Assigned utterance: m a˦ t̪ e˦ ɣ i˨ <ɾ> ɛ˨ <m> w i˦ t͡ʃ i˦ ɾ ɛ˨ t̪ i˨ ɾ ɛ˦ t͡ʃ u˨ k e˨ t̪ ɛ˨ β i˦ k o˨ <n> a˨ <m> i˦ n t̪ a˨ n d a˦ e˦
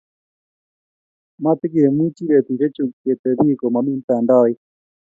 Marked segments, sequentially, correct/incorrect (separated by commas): correct, correct, incorrect, correct